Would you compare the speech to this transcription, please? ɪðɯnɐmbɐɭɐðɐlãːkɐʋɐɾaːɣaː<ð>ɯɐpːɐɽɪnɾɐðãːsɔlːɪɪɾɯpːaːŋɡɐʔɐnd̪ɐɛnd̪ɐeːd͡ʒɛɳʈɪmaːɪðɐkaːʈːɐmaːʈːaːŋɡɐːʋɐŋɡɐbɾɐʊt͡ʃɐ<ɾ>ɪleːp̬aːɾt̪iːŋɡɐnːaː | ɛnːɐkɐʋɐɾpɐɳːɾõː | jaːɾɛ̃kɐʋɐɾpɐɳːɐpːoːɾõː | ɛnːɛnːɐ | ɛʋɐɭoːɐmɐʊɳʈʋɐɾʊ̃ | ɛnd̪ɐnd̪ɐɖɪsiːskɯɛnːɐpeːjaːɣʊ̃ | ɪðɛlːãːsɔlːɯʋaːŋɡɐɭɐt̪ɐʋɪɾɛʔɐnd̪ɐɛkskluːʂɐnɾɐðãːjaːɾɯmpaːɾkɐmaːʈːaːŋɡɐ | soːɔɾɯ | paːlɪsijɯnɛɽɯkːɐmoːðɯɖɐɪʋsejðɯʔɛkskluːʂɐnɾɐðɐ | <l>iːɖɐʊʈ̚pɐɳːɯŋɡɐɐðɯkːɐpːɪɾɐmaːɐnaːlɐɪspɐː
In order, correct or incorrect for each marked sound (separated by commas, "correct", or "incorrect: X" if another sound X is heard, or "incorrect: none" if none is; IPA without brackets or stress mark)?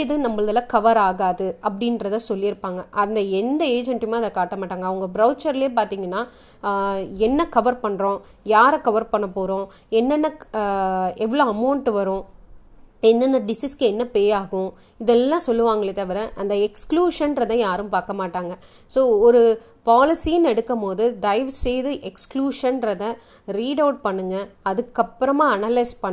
correct, correct, incorrect: ɾ